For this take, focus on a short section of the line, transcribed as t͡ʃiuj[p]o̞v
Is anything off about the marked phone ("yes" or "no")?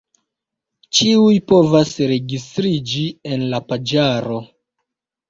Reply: no